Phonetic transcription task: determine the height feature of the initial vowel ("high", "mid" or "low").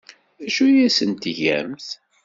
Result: low